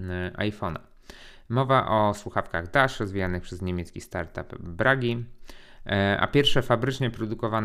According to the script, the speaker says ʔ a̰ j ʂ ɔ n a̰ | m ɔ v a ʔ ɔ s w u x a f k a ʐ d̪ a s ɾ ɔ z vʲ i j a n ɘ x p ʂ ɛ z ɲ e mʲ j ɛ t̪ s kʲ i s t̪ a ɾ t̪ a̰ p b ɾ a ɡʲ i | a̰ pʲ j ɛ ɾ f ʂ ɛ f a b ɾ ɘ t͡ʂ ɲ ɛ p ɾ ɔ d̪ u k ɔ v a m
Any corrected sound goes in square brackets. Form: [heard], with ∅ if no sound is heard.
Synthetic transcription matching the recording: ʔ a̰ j [f] ɔ n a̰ | m ɔ v a ʔ ɔ s w u x a f k a [ɣ] d̪ a [ʂ] ɾ ɔ z vʲ i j a n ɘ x p ʂ ɛ z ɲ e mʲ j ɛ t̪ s kʲ i s t̪ a ɾ t̪ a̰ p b ɾ a ɡʲ i | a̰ pʲ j ɛ ɾ f ʂ ɛ f a b ɾ ɘ t͡ʂ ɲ ɛ p ɾ ɔ d̪ u k ɔ v a [n]